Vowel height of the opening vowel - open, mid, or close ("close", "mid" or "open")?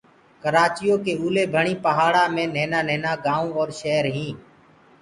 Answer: mid